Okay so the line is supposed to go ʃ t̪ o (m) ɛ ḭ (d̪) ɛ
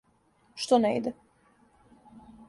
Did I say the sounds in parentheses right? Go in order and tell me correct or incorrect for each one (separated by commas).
incorrect, correct